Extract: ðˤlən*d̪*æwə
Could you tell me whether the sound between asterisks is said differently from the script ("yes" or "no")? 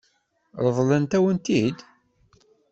yes